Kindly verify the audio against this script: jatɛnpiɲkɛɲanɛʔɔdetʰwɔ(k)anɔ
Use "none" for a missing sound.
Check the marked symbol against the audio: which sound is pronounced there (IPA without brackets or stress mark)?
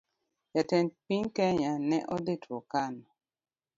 k